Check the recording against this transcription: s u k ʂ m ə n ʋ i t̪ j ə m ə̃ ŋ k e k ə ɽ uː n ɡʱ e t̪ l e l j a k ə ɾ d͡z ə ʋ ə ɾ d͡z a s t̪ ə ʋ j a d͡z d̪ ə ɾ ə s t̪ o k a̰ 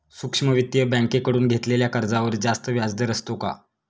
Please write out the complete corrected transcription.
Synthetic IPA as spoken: s u k ʂ m ə ʋ i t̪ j ə b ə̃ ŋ k e k ə ɽ uː n ɡʱ e t̪ l e l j a k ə ɾ d͡z a ʋ ə ɾ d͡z a s t̪ ə ʋ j a d͡z d̪ ə ɾ ə s t̪ o k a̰